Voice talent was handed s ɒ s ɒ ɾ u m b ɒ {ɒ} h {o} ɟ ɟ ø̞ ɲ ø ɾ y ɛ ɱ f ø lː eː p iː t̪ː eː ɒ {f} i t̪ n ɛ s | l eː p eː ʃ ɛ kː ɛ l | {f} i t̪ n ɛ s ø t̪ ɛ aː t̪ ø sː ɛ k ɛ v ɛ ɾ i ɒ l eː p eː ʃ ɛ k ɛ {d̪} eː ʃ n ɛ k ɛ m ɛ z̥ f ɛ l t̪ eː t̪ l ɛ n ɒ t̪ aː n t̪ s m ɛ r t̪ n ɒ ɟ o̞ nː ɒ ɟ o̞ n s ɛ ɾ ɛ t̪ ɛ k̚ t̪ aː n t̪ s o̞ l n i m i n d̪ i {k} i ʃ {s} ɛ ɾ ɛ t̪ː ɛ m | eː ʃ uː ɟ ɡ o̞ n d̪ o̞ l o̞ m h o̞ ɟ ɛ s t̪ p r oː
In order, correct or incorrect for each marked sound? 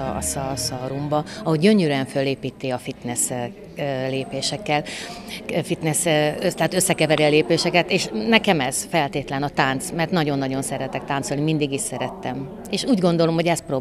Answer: correct, correct, correct, correct, incorrect, incorrect, correct

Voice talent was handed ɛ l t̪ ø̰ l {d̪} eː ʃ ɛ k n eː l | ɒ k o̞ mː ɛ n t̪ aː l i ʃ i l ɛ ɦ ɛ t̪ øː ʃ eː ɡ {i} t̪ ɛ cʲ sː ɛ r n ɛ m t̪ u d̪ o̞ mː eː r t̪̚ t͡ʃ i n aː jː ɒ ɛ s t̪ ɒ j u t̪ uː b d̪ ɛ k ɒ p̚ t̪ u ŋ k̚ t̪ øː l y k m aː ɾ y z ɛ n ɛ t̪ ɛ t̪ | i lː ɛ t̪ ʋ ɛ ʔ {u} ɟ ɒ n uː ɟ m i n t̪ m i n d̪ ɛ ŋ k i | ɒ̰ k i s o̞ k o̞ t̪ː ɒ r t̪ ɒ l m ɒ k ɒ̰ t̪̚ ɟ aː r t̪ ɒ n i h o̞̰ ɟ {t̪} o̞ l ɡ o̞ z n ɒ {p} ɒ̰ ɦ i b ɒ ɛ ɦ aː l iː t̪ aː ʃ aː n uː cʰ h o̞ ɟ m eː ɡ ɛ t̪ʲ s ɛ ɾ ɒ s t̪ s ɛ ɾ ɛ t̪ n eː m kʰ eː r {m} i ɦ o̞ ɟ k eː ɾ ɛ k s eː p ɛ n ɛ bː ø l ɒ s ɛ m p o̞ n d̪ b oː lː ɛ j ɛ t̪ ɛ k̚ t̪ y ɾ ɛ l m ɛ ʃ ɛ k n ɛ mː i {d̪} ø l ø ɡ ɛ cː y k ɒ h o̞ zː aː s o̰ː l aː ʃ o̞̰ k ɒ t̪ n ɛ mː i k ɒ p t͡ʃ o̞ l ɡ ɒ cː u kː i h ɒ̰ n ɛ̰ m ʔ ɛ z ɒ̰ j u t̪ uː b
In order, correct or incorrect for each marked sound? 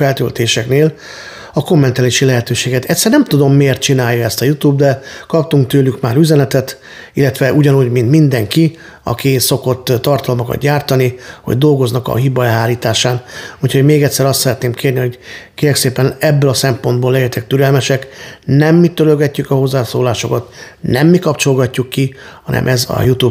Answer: incorrect, incorrect, correct, incorrect, incorrect, incorrect, incorrect

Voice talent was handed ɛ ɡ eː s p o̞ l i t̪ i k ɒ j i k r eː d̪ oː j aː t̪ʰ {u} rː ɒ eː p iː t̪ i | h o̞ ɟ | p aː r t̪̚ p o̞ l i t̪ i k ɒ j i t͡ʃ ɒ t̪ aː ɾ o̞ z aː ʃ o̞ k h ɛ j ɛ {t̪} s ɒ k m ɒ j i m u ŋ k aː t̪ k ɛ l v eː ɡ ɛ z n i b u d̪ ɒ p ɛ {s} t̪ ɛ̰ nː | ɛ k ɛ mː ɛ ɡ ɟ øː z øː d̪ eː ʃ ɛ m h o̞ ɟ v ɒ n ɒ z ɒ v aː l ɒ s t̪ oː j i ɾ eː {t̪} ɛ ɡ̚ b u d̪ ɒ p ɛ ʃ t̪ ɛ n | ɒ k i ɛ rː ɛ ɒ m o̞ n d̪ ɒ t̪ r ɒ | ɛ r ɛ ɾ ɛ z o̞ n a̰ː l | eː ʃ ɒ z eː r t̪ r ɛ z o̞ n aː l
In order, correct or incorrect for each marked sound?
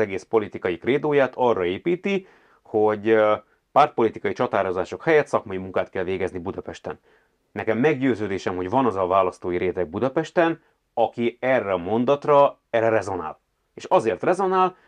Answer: incorrect, correct, incorrect, correct

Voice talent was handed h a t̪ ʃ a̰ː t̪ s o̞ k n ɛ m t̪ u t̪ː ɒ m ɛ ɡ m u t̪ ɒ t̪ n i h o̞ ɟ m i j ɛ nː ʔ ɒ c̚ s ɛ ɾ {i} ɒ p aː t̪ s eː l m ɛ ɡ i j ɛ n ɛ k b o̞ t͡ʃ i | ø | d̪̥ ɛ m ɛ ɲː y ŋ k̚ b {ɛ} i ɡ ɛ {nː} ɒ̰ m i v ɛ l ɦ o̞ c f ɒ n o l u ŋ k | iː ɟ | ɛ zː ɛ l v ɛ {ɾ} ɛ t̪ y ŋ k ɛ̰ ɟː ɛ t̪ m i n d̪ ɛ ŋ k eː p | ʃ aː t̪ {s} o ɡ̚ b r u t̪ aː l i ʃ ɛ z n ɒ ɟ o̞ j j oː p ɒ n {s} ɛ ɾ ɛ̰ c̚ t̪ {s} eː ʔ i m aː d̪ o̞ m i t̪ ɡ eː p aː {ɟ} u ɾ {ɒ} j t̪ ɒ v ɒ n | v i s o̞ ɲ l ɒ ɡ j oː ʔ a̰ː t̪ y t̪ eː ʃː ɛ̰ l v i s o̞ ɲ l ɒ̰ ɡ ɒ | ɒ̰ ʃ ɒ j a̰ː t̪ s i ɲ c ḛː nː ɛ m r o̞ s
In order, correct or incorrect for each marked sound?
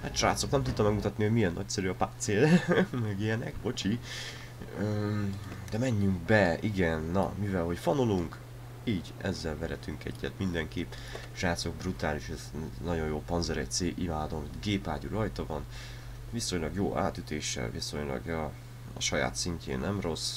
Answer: incorrect, correct, correct, correct, correct, incorrect, correct, correct, correct

